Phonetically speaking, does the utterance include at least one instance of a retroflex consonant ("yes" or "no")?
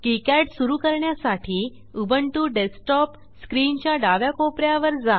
yes